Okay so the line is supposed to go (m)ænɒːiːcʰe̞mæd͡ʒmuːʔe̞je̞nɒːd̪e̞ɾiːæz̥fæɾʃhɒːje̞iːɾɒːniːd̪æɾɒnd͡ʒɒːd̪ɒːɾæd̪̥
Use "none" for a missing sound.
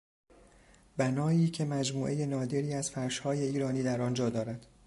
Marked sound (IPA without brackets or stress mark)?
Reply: b